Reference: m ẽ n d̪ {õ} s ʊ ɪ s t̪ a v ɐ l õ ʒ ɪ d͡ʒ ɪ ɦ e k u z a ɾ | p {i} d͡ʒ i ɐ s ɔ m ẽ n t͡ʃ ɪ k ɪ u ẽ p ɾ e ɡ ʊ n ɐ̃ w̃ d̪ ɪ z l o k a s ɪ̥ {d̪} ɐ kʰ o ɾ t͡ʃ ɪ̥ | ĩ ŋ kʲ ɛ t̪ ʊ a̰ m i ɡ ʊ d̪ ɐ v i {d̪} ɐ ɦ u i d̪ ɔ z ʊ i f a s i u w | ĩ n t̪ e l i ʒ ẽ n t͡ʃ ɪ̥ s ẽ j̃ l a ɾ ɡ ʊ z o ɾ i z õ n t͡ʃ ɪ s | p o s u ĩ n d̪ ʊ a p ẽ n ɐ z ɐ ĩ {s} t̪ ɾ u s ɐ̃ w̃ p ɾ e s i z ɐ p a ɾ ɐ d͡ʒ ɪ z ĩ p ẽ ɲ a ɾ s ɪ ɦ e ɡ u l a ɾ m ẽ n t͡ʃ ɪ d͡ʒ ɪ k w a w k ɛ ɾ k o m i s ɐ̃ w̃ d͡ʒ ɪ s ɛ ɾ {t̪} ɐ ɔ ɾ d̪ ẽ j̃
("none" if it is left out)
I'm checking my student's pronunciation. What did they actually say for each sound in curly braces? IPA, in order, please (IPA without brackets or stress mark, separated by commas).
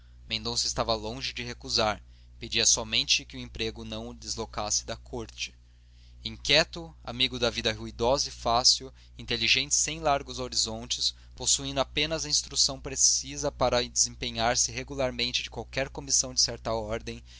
õ, e, d̪, d̪, s, t̪